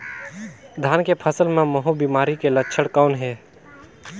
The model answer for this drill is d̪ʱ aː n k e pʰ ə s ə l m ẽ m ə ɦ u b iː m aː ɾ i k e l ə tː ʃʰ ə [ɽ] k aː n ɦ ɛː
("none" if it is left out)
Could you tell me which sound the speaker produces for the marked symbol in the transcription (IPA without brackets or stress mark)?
ɽ